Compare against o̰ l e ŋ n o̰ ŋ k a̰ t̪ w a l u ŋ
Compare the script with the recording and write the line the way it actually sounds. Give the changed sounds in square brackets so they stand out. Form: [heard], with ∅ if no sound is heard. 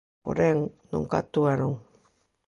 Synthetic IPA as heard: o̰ [ɾ] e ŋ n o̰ ŋ k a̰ t̪ [u] a [ɾ] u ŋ